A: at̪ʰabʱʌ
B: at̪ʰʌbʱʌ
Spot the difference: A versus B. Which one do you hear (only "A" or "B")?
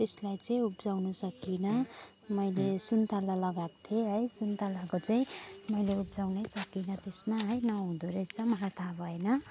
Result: A